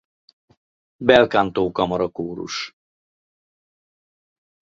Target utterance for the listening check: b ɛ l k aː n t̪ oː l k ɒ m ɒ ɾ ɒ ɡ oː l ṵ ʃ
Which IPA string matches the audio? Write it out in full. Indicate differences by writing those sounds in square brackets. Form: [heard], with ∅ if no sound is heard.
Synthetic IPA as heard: b ɛ l k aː n t̪ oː [∅] k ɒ m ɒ ɾ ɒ [k] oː [ɾ] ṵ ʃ